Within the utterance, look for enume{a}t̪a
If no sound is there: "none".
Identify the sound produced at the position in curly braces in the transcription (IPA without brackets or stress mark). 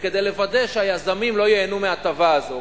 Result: a